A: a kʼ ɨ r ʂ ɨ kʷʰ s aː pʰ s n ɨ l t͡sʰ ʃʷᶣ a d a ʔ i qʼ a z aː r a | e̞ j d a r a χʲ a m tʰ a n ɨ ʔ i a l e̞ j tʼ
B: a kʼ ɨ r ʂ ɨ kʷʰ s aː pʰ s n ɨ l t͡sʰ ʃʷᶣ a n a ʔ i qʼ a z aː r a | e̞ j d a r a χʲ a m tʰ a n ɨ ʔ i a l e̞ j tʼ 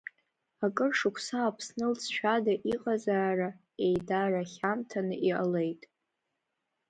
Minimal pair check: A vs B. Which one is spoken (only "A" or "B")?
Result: A